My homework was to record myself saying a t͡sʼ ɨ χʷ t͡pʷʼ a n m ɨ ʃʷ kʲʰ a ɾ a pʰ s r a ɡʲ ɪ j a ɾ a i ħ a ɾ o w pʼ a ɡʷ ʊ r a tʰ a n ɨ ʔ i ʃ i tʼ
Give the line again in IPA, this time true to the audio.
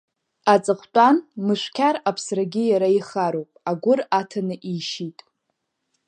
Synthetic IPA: a t͡sʼ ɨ χʷ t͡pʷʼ a n m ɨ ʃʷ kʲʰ a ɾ a pʰ s r a ɡʲ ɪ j a ɾ a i χ a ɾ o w pʼ a ɡʷ ʊ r a tʰ a n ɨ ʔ i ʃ i tʼ